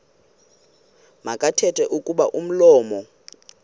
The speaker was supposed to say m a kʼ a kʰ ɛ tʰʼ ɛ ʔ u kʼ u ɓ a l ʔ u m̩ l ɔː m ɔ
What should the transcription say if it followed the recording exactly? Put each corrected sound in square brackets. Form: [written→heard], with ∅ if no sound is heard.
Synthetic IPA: m a kʼ a [kʰ→tʰ] ɛ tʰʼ ɛ ʔ u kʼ u ɓ a [l→∅] ʔ u m̩ l ɔː m ɔ